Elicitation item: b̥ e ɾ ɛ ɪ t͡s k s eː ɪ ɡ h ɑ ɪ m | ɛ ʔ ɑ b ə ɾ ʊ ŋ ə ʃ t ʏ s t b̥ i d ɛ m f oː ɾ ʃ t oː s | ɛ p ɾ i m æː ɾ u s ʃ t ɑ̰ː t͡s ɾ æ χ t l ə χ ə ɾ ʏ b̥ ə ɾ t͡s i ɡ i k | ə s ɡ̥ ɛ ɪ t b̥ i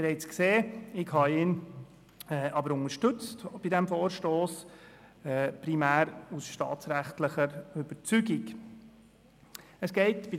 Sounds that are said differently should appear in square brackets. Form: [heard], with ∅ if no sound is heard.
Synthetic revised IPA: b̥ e ɾ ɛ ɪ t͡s k s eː ɪ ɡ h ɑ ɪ [n] | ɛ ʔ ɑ b ə ɾ ʊ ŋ ə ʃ t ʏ [t͡s] t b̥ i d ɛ m f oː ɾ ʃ t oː s | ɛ p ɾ i m æː ɾ u s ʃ t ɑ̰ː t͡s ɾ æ χ t l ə χ ə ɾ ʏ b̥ ə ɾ t͡s [y] ɡ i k | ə s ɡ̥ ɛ ɪ t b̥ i